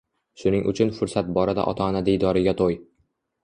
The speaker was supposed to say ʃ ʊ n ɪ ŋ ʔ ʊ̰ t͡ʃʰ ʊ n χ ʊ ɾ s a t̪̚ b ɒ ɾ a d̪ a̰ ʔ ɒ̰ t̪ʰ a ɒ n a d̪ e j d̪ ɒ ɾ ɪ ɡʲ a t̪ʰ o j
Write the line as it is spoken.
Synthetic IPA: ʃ ʊ n ɪ ŋ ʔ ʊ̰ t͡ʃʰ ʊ n f ʊ ɾ s a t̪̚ b ɒ ɾ a d̪ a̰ ʔ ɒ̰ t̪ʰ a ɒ n a d̪ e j d̪ ɒ ɾ ɪ ɡʲ a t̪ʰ o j